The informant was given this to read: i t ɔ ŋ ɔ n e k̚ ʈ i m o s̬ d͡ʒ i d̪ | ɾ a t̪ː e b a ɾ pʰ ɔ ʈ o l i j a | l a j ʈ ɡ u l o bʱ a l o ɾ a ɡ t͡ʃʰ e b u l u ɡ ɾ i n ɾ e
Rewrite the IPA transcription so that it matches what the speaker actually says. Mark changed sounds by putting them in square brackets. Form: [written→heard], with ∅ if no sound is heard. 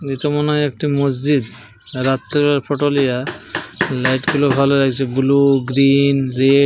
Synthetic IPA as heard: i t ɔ [ŋ→m] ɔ n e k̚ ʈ i m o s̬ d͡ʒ i d̪ | ɾ a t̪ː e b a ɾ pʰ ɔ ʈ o l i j a | l a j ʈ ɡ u l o bʱ a l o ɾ a ɡ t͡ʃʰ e b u l u ɡ ɾ i n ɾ e